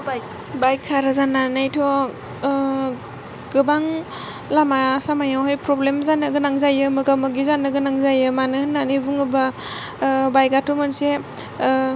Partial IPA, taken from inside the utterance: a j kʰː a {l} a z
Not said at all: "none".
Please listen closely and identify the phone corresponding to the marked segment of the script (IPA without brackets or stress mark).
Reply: ɾ